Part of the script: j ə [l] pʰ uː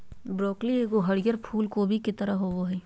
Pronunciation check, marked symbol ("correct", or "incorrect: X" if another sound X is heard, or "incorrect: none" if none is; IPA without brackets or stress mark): incorrect: ɾ